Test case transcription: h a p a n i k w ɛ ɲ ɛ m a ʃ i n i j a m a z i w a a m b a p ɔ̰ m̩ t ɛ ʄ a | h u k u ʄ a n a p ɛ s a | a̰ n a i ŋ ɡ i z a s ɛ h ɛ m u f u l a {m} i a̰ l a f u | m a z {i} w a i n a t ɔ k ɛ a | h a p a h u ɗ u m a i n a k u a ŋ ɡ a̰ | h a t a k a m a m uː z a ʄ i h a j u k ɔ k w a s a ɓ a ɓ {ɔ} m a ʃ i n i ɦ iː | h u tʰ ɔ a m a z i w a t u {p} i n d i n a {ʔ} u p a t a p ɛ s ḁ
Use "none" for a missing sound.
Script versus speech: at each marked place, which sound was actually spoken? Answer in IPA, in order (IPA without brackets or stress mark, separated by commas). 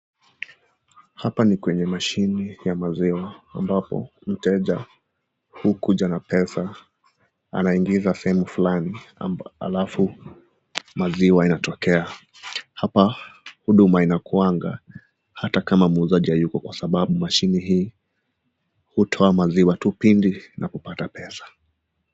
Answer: n, i, u, p, k